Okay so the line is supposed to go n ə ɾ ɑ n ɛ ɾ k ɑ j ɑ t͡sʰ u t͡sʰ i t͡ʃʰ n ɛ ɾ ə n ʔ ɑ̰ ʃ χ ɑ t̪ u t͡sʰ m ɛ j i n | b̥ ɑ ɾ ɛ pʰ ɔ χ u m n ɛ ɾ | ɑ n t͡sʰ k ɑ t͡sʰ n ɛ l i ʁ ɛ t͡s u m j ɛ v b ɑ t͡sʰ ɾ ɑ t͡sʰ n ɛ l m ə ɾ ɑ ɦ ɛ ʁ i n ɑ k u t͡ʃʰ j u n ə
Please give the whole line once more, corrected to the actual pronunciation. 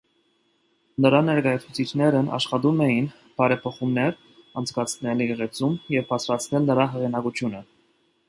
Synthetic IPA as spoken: n ə ɾ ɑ n ɛ ɾ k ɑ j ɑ t͡sʰ u t͡sʰ i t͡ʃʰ n ɛ ɾ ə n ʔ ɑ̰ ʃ χ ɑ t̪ u m ɛ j i n | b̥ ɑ ɾ ɛ pʰ ɔ χ u m n ɛ ɾ | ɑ n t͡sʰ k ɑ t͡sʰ n ɛ l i ʁ ɛ t͡s u m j ɛ v b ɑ t͡sʰ ɾ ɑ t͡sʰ n ɛ l n ə ɾ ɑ ɦ ɛ ʁ i n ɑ k u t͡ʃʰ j u n ə